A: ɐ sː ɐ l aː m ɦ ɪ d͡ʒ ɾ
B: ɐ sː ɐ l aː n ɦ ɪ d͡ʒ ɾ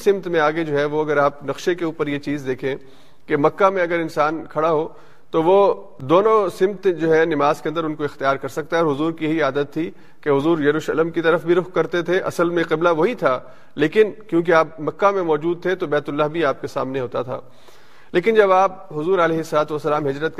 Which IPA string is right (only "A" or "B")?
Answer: A